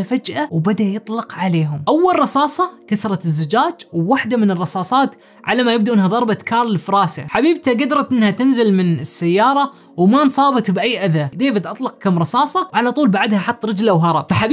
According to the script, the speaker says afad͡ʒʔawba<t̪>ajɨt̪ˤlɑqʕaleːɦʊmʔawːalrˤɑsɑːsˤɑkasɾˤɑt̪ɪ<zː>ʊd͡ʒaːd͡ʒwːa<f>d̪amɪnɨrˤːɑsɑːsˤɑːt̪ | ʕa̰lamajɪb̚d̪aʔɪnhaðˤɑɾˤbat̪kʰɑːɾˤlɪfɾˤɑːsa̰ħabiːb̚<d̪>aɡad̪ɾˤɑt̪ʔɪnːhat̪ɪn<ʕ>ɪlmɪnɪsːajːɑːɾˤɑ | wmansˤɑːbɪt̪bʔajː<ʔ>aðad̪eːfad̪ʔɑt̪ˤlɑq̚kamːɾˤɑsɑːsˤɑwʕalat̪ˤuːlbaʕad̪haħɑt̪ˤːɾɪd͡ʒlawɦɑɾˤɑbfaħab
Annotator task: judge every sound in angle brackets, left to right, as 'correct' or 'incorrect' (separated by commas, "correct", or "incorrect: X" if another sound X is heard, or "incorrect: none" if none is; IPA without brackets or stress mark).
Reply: incorrect: d̪, correct, incorrect: ħ, incorrect: t̪, incorrect: z, correct